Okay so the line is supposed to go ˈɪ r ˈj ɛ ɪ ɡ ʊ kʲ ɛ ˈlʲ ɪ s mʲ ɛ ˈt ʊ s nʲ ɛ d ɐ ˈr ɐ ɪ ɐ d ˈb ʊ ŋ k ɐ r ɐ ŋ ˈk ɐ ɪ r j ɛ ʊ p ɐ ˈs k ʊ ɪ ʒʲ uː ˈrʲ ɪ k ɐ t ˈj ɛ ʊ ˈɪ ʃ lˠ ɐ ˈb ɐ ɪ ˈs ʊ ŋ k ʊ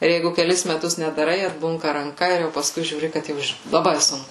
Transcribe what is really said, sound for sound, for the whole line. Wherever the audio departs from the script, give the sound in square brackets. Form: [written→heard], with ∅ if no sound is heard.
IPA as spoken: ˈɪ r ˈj ɛ ɪ ɡ ʊ kʲ ɛ ˈlʲ ɪ s mʲ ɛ ˈt ʊ s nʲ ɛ d ɐ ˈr ɐ ɪ ɐ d ˈb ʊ ŋ k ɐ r ɐ ŋ ˈk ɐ ɪ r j ɛ ʊ p ɐ ˈs k ʊ ɪ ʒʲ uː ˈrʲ ɪ k ɐ t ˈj ɛ ʊ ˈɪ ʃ lˠ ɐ ˈb ɐ ɪ ˈs ʊ ŋ k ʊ